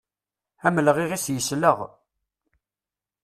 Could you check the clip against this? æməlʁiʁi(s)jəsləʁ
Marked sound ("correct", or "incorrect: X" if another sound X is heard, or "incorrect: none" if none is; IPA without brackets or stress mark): correct